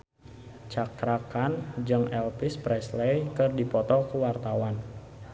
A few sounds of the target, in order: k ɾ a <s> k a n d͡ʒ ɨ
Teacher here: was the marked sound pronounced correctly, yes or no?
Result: no